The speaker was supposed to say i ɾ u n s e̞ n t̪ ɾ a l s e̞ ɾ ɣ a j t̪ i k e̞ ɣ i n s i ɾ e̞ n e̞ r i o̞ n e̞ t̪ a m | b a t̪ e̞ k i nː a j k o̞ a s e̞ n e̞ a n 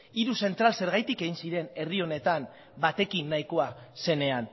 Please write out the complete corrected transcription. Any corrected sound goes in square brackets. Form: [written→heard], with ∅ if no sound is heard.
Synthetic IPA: i ɾ u [n→∅] s e̞ n t̪ ɾ a l s e̞ ɾ ɣ a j t̪ i k e̞ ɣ i n s i ɾ e̞ n e̞ r i o̞ n e̞ t̪ a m | b a t̪ e̞ k i nː a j k o̞ a s e̞ n e̞ a n